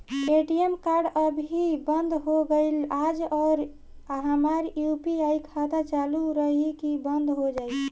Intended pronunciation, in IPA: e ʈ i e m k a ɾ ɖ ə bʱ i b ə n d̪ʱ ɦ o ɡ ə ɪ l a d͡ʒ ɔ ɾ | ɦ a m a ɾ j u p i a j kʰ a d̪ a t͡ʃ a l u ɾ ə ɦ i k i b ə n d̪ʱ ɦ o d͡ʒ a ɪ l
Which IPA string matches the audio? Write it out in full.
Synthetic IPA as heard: e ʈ i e m k a ɾ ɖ ə bʱ i b ə n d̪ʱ ɦ o ɡ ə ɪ l a d͡ʒ ɔ ɾ | ɦ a m a ɾ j u p i a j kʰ a d̪ a t͡ʃ a l u ɾ ə ɦ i k i b ə n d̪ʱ ɦ o d͡ʒ a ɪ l